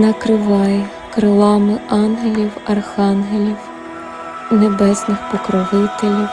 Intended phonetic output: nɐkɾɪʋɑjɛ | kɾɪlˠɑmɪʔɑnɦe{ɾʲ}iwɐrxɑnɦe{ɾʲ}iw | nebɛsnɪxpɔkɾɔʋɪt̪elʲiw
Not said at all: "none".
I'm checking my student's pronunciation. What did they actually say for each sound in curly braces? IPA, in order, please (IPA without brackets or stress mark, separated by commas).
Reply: lʲ, lʲ